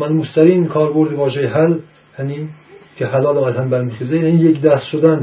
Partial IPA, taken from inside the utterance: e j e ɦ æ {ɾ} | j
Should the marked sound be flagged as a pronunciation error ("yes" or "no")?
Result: yes